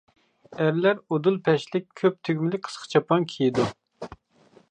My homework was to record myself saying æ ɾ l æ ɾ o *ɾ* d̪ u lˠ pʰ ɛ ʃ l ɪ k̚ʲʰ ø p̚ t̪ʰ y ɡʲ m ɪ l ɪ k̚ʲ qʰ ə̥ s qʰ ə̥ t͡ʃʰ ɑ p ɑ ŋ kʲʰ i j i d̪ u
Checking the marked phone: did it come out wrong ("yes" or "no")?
yes